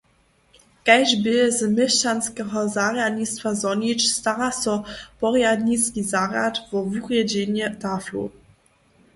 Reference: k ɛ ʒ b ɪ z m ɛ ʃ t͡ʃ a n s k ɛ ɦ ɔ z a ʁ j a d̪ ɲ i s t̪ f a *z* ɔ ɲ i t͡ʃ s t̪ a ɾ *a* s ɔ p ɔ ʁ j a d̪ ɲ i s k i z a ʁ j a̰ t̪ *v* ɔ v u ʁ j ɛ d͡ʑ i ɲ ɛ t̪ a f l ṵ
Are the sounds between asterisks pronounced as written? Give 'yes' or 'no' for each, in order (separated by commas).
yes, yes, yes